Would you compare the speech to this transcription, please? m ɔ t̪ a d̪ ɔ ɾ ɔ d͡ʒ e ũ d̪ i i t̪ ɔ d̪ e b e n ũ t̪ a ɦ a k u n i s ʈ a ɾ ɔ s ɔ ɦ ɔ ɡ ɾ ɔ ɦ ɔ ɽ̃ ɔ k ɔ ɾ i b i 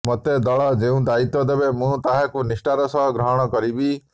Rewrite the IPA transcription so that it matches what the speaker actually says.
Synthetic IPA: m ɔ t̪ e d̪ ɔ ɭ ɔ d͡ʒ e ũ d̪ a i t̪ ɔ d̪ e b e m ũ t̪ a ɦ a k u n i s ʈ a ɾ ɔ s ɔ ɦ ɔ ɡ ɾ ɔ ɦ ɔ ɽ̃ ɔ k ɔ ɾ i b i